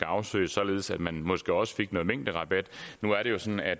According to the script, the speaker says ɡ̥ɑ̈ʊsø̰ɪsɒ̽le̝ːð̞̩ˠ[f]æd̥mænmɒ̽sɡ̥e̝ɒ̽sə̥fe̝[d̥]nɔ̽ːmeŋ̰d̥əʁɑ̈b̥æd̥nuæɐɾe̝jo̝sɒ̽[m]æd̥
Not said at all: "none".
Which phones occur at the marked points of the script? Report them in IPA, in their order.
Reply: s, ɡ̥, n

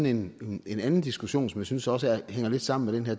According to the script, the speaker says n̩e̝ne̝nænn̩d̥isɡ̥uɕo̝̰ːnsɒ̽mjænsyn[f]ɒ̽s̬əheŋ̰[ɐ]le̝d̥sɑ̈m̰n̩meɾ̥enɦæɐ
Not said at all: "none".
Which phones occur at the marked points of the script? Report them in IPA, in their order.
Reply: s, ɐ

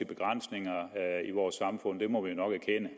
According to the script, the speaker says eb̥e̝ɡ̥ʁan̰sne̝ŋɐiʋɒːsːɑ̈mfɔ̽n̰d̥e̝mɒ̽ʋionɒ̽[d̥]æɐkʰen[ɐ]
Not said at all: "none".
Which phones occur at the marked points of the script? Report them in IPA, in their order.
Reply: ɡ̥, ə

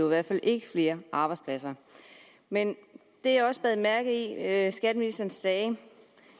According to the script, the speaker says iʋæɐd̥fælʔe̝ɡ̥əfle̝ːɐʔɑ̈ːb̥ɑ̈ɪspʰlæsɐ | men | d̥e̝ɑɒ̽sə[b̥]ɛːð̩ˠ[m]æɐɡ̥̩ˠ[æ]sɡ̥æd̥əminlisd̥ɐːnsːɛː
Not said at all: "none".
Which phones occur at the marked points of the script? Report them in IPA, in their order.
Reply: b̥, m, i

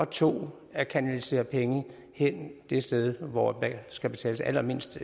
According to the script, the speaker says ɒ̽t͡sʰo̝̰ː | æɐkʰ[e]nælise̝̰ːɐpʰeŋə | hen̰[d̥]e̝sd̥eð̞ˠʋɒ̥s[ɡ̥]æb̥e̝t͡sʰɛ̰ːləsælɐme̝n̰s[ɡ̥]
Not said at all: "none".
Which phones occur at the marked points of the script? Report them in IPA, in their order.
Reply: æ, d̥, ɡ̥, d̥

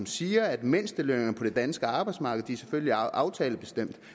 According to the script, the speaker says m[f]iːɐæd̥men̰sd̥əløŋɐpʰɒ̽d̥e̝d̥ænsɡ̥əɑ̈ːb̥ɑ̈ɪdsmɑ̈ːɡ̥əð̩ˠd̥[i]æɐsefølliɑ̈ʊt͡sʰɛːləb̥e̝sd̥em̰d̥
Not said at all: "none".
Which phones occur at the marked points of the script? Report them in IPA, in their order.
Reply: s, i

